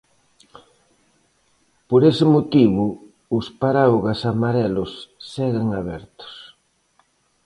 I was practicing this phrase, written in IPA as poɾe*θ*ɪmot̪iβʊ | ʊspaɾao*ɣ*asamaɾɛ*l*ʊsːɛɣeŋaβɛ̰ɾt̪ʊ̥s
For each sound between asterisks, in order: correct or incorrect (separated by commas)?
incorrect, correct, correct